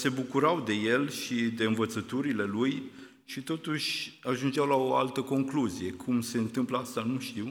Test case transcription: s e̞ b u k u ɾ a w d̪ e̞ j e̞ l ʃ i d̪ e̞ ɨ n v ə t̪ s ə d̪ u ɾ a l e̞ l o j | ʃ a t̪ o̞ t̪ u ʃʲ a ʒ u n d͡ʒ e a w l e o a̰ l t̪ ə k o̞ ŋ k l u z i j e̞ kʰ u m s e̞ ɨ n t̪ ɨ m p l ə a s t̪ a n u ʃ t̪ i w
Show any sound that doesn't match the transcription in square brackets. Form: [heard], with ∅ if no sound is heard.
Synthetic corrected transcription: s e̞ b u k u ɾ a w d̪ e̞ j e̞ l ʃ i d̪ e̞ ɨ n v ə t̪ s ə [t̪] u ɾ [i] l e̞ l [u] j | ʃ [i] t̪ o̞ t̪ u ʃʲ a ʒ u n d͡ʒ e a w l [a] o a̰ l t̪ ə k o̞ ŋ k l u z i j e̞ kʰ u m s e̞ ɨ n t̪ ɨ m p l ə a s t̪ a n u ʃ t̪ i w